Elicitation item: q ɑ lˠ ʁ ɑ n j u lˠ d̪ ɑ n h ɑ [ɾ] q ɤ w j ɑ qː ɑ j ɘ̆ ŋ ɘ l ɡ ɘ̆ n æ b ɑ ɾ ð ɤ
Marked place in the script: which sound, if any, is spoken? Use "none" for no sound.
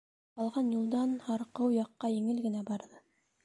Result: ɾ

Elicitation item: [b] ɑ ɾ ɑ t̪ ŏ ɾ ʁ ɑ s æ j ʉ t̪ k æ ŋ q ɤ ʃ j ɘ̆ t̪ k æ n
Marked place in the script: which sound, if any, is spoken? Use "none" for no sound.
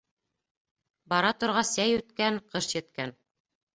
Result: b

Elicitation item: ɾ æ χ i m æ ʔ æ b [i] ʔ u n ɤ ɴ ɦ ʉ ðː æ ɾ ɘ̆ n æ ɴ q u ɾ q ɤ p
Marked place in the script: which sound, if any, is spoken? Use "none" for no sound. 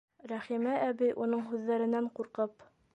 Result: i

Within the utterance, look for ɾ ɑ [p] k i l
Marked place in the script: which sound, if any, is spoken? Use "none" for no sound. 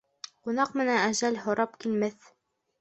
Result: p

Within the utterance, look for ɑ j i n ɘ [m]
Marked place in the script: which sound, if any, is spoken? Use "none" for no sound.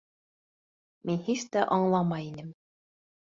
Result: m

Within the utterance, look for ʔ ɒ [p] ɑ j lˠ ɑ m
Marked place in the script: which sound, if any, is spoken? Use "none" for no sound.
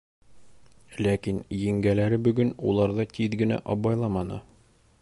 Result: b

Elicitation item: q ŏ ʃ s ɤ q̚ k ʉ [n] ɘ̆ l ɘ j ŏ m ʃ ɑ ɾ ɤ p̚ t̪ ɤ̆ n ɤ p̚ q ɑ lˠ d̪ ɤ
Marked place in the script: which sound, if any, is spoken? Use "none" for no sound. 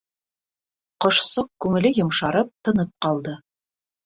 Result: ŋ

